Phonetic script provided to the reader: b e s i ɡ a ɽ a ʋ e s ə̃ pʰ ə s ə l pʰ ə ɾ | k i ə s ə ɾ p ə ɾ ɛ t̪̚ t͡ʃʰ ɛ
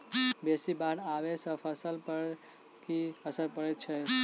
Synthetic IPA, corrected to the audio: b e s i b a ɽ a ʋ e s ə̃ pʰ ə s ə l p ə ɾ | k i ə s ə ɾ p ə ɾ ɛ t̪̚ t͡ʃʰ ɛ